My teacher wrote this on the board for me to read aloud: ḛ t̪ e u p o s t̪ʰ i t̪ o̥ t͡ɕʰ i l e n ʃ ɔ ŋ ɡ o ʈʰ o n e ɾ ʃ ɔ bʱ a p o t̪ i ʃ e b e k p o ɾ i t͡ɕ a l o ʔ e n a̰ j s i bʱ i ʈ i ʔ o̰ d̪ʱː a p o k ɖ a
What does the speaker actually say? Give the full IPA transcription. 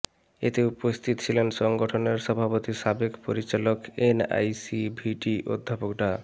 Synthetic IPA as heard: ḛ t̪ e u p o s t̪ʰ i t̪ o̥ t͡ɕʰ i l e n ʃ ɔ ŋ ɡ o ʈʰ o n e ɾ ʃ ɔ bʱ a p o t̪ i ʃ a b e k p o ɾ i t͡ɕ a l o k e n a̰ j s i bʱ i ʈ i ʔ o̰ d̪ʱː a p o k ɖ a